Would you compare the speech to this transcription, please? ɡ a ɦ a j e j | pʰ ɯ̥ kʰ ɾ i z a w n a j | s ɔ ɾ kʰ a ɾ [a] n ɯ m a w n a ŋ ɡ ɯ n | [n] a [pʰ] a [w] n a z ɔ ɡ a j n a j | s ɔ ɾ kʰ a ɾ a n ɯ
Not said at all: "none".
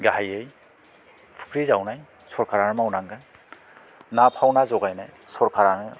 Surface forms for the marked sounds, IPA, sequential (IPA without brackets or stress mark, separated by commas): a, n, pʰ, w